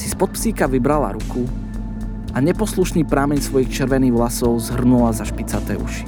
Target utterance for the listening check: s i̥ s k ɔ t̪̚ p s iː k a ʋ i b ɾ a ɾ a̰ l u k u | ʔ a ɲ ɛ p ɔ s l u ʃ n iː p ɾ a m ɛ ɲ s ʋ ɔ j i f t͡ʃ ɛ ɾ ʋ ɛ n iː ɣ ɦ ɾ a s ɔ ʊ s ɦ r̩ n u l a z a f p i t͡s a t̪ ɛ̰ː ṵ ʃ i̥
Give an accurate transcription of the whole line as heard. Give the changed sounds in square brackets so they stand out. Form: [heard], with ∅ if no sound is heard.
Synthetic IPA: s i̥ s [p] ɔ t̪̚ p s iː k a ʋ i b ɾ a [l] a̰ [ɾ] u k u | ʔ a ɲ ɛ p ɔ s l u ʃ n iː p ɾ a m ɛ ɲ s ʋ ɔ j i [x] t͡ʃ ɛ ɾ ʋ ɛ n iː ɣ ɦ [l] a s ɔ ʊ [z] ɦ r̩ n u l a z a [ʃ] p i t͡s a t̪ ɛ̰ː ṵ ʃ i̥